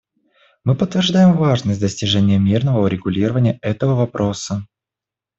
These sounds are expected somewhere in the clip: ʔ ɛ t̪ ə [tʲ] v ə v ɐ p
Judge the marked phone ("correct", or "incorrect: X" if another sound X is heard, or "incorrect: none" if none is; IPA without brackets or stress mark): incorrect: none